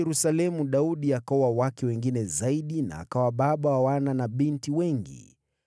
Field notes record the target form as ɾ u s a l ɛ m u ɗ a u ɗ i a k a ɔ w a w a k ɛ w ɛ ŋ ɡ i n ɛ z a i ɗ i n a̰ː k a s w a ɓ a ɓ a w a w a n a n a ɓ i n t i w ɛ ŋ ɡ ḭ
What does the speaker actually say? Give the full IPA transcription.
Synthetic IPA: ɾ u s a l ɛ m u ɗ a u ɗ i a k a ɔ w a w a k ɛ w ɛ ŋ ɡ i n ɛ z a i ɗ i n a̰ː k a w a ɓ a ɓ a w a w a n a n a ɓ i n t i w ɛ ŋ ɡ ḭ

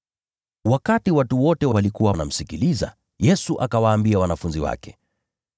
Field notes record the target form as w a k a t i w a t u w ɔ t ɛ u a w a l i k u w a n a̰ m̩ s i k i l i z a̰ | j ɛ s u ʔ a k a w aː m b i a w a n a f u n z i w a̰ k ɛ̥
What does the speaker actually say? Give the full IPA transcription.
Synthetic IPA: w a k a t i w a t u w ɔ t ɛ w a w a l i k u w a n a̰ m̩ s i k i l i z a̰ | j ɛ s u ʔ a k a w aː m b i a w a n a f u n z i w a̰ k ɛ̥

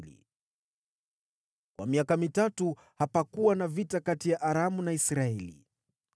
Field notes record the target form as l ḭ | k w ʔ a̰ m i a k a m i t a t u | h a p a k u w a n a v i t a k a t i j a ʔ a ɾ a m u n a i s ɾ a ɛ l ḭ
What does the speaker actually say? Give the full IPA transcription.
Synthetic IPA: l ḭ | k w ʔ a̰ m i a k a m i t a t u | h a p a k u w a n a v i t a k a t i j a ʔ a ɾ a m u n a i s ɾ a ɛ l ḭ

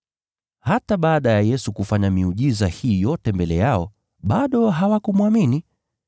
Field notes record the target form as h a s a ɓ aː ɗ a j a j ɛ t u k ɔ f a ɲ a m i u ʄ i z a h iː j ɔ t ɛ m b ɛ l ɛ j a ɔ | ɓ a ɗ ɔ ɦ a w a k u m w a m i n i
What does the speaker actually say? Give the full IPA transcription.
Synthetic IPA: h a t a ɓ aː ɗ a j a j ɛ s u k u f a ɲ a m i u ʄ i z a h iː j ɔ t ɛ m b ɛ l ɛ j a ɔ | ɓ a ɗ ɔ ɦ a w a k u m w a m i n i

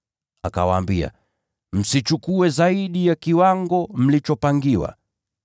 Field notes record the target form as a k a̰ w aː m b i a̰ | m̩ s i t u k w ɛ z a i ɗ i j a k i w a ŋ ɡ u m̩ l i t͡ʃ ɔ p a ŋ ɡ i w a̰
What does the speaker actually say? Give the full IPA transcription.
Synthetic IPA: a k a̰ w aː m b i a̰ | m̩ s i t͡ʃ u k u ɛ z a i ɗ i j a k i w a ŋ ɡ ɔ m̩ l i t͡ʃ ɔ p a ŋ ɡ i w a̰

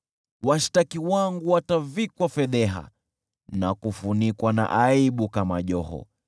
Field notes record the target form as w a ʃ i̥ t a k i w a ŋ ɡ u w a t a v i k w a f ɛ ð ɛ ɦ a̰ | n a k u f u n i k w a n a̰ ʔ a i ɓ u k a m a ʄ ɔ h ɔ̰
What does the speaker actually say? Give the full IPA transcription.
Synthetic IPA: w a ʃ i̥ t a k i w a ŋ ɡ u w a t a v i k w a f ɛ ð ɛ ɦ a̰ | n a k u f u n i k w a n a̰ ʔ a i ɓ u k a m a ʄ ɔ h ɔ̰

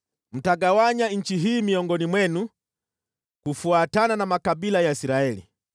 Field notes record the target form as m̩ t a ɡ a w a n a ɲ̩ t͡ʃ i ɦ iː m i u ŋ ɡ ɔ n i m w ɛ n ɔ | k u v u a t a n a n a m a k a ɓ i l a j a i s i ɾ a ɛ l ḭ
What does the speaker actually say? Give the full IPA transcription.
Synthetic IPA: m̩ t a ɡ a w a ɲ a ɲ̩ t͡ʃ i ɦ iː m i ɔ ŋ ɡ ɔ n i m w ɛ n u | k u f u a t a n a n a m a k a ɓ i l a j a i s i ɾ a ɛ l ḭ

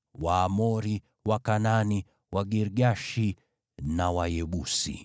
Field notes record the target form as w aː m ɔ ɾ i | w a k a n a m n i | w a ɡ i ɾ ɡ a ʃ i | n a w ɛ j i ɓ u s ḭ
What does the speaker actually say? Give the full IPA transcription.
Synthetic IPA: w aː m ɔ ɾ i | w a k a n a n i | w a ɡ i ɾ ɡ a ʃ i | n a w a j ɛ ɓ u s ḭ

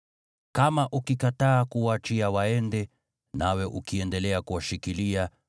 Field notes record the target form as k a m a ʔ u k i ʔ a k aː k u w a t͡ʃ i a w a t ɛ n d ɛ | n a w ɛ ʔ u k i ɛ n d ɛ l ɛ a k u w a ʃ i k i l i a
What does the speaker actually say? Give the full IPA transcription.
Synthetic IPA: k a m a ʔ u k i k a t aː k u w a t͡ʃ i a w a ɛ n d ɛ | n a w ɛ ʔ u k i ɛ n d ɛ l ɛ a k u w a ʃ i k i l i a

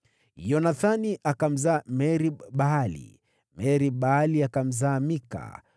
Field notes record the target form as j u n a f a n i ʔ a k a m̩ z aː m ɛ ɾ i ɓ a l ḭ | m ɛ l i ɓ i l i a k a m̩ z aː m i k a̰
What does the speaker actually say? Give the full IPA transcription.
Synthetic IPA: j ɔ n a θ a n i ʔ a k a m̩ z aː m ɛ ɾ i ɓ a l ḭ | m ɛ ɾ i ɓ a l i a k a m̩ z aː m i k a̰

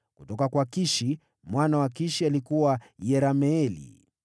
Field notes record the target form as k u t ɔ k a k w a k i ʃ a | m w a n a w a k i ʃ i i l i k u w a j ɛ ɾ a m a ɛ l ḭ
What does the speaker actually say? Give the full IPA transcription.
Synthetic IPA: k u t ɔ k a k w a k i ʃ i | m w a n a w a k i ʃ i a l i k u w a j ɛ ɾ a m ɛ ɛ l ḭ

